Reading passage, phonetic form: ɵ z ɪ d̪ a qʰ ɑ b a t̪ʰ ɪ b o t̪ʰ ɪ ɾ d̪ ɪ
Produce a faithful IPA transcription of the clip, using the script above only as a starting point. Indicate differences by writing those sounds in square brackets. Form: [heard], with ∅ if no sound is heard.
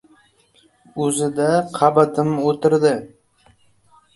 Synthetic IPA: ɵ z ɪ d̪ a qʰ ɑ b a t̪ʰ ɪ [m] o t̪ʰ ɪ ɾ d̪ ɪ